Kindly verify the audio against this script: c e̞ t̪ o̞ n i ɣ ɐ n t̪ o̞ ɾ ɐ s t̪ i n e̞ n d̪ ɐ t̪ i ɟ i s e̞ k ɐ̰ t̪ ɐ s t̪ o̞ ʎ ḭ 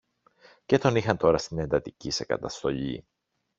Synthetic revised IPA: c e̞ t̪ o̞ n i x ɐ n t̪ o̞ ɾ ɐ s t̪ i n e̞ n d̪ ɐ t̪ i c i s e̞ k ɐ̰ t̪ ɐ s t̪ o̞ ʎ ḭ